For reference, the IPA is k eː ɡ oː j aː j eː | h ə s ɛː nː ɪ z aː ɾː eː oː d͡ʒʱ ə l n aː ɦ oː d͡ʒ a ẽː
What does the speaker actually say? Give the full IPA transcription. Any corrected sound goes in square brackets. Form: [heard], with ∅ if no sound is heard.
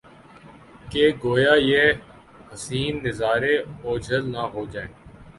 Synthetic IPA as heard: k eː ɡ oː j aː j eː | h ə s [iː] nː ɪ z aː [ɾ] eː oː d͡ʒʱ ə l n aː ɦ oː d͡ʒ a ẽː